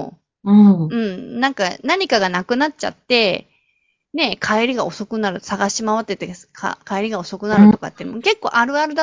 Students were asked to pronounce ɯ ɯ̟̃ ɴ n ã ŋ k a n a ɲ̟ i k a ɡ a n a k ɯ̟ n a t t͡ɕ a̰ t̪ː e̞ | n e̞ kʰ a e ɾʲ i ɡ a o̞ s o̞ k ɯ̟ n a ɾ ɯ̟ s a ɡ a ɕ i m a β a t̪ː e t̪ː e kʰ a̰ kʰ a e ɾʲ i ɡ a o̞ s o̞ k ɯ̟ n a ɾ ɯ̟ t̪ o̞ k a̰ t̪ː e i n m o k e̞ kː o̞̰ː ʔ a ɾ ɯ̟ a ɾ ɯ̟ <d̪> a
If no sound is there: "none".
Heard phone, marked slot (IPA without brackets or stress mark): d̪